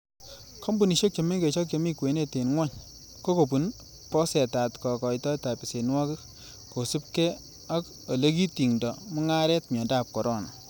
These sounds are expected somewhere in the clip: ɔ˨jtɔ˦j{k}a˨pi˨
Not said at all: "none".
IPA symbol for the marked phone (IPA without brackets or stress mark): t